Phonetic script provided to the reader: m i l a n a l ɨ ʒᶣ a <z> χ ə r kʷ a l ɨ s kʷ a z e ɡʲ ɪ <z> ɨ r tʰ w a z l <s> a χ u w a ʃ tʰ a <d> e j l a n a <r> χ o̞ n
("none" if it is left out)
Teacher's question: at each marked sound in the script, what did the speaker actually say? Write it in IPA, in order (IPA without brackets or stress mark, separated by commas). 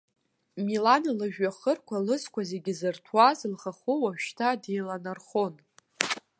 none, z, χ, d, r